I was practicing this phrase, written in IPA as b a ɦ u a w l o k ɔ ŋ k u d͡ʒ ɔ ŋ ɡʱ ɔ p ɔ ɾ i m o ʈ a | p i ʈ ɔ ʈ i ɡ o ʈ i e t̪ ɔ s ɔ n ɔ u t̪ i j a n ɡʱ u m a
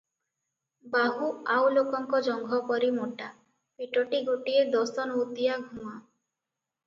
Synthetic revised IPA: b a ɦ u a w l o k ɔ ŋ k ɔ d͡ʒ ɔ ŋ ɡʱ ɔ p ɔ ɾ i m o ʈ a | p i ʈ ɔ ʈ i ɡ o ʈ i e d̪ ɔ s ɔ n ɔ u t̪ i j a ɡʱ u m a